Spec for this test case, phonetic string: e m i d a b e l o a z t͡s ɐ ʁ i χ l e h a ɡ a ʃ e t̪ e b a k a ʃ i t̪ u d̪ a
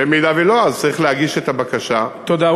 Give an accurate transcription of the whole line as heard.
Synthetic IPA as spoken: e m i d a v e l o a z t͡s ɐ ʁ i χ l e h a ɡ i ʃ e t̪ a b a k a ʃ a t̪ o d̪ a